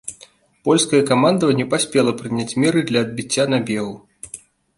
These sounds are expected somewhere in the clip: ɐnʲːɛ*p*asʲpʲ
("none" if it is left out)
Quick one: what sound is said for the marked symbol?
p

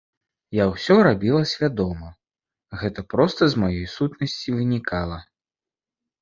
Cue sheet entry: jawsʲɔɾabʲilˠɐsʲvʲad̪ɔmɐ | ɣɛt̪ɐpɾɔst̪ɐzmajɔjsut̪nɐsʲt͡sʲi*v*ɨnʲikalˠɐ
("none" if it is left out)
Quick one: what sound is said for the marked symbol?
v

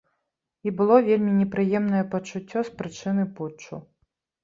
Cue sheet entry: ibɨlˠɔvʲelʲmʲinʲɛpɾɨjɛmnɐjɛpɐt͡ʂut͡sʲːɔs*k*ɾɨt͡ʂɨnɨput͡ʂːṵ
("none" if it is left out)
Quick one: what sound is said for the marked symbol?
p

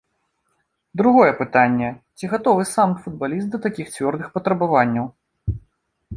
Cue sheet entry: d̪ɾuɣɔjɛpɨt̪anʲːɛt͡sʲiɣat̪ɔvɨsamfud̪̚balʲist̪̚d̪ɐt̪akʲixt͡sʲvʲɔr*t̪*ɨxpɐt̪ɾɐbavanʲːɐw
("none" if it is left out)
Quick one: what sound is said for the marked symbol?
d̪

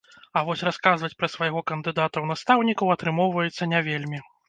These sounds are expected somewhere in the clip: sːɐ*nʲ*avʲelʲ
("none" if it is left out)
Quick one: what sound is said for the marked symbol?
nʲ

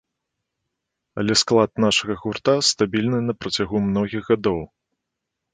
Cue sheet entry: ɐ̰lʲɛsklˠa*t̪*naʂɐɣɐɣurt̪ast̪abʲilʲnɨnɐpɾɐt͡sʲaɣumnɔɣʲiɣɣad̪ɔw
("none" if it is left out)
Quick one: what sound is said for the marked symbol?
t̪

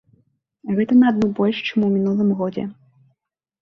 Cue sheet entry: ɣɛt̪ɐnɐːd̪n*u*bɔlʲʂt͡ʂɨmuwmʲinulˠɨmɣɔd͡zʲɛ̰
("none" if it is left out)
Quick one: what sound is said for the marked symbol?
u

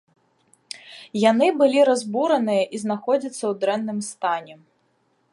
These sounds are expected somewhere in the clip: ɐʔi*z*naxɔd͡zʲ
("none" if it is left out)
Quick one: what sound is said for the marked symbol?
z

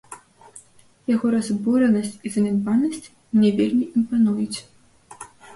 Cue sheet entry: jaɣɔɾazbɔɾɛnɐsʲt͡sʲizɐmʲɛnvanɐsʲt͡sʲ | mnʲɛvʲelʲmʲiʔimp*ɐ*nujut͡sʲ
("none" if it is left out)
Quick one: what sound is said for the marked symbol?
a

